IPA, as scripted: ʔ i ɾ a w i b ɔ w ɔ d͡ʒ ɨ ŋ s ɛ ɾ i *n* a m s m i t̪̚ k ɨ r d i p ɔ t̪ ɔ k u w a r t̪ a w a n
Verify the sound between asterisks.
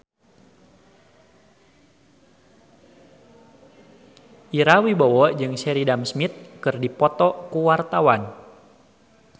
incorrect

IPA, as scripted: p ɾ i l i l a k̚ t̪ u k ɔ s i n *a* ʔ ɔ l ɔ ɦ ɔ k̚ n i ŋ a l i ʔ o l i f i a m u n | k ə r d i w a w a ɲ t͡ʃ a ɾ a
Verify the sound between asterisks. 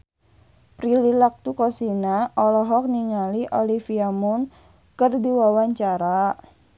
correct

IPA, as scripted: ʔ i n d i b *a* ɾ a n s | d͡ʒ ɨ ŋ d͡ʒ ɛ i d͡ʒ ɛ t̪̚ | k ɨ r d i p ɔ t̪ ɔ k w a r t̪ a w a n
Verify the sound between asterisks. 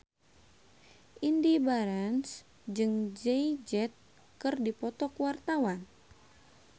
correct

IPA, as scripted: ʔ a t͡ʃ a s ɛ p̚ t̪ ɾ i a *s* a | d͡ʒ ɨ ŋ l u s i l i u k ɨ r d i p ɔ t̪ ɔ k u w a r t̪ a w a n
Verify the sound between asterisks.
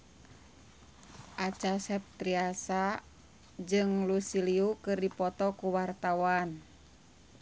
correct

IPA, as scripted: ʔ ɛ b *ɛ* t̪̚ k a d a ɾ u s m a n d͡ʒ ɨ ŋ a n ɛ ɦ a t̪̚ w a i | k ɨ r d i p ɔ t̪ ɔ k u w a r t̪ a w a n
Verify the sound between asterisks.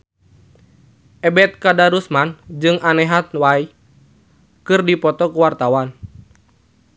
correct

